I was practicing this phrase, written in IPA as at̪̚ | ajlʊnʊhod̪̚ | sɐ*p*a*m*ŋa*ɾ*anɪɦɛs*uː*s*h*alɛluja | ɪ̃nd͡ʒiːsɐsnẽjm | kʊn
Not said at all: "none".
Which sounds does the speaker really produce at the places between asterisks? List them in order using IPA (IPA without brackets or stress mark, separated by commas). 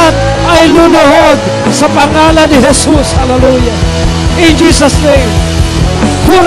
p, none, l, u, h